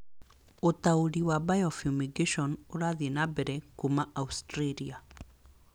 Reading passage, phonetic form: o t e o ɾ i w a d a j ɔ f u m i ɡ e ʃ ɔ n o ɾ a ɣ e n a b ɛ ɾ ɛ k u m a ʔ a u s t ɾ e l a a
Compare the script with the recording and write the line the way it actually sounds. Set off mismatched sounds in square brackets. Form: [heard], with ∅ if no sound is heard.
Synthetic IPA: o t [a] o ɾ i w a [b] a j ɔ f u m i ɡ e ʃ ɔ n o ɾ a [ð] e n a b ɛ ɾ ɛ k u m a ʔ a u s t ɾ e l [i] a